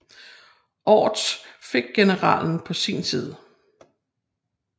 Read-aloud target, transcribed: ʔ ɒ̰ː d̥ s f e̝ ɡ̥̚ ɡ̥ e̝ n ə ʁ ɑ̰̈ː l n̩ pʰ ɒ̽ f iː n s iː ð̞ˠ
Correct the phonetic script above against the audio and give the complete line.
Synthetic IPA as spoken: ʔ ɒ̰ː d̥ s f e̝ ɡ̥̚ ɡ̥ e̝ n ə ʁ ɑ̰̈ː l n̩ pʰ ɒ̽ s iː n s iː ð̞ˠ